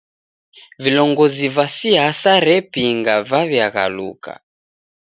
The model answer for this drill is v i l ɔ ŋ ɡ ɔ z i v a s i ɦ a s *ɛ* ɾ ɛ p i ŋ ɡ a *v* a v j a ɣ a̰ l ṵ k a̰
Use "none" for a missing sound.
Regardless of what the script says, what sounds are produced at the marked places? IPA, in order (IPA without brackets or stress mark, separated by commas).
a, v